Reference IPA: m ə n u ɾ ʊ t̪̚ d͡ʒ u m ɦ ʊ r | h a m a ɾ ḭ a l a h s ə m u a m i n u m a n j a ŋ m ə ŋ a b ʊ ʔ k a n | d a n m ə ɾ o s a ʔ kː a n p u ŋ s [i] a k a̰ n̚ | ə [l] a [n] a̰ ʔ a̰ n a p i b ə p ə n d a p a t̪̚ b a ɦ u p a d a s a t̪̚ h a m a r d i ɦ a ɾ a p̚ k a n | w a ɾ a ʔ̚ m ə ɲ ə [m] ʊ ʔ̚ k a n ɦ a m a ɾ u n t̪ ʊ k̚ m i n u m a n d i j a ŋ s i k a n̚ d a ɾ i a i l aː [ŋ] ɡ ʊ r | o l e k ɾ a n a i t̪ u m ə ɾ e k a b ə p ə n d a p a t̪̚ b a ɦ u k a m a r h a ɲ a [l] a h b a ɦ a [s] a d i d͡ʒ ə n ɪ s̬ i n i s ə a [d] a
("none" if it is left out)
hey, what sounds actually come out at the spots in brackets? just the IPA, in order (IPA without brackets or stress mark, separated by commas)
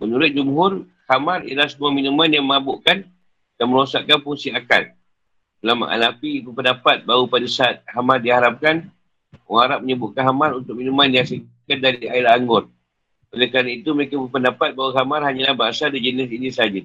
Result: i, l, m, b, ŋ, l, s, d͡ʒ